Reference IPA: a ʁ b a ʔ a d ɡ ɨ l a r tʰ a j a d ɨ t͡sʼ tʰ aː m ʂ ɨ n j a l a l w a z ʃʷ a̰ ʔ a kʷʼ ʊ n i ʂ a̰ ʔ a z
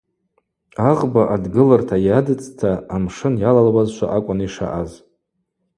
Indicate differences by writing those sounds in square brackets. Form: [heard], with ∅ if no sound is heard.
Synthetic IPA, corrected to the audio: a ʁ b a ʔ a d ɡ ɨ l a r tʰ a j a d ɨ t͡sʼ tʰ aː m ʂ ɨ n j a l a l w a z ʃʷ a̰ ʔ a kʷʼ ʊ n i ʂ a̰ ʔ a z